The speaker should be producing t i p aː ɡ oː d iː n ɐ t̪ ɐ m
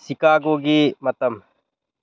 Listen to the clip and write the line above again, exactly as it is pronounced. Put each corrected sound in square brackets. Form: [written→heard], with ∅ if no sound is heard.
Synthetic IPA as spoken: [t→s] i [p→k] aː ɡ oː [d→ɡ] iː [n→m] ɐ t̪ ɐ m